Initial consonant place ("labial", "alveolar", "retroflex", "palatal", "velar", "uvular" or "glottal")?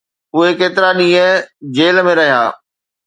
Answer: glottal